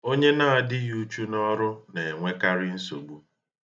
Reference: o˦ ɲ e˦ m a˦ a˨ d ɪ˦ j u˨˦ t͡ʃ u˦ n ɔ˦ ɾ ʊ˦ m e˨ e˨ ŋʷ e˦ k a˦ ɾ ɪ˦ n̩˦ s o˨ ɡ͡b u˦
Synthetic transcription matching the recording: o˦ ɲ e˦ n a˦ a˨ d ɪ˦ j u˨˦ t͡ʃ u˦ n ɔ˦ ɾ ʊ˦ n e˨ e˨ ŋʷ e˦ k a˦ ɾ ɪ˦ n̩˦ s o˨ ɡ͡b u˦